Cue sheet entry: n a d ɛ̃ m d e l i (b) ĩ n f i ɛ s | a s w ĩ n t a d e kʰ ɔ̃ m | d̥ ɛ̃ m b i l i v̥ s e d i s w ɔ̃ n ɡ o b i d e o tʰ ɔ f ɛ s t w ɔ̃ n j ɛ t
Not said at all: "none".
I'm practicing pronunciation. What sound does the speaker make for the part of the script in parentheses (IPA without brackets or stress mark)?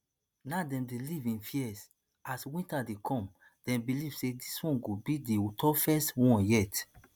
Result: v